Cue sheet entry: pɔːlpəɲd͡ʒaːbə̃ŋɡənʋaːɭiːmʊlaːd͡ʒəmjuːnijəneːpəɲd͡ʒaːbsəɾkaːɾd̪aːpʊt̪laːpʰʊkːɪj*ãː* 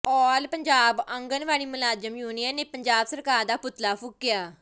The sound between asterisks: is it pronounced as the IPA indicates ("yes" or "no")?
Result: no